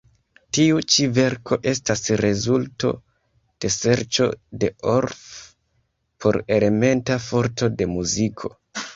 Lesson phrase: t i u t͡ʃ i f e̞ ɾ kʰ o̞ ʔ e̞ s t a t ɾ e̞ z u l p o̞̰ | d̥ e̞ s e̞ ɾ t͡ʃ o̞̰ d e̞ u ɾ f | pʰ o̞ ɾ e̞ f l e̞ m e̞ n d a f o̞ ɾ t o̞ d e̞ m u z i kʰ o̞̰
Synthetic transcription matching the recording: t i u t͡ʃ i v e̞ ɾ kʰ o̞ ʔ e̞ s t a s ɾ e̞ z u l t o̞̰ | d̥ e̞ s e̞ ɾ t͡ʃ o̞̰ d e̞ o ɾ f | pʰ o̞ ɾ e̞ l e̞ m e̞ n t a f o̞ ɾ t o̞ d e̞ m u z i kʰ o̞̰